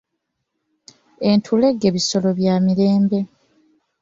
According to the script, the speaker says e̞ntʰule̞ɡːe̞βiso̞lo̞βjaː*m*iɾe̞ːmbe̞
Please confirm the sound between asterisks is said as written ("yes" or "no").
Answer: yes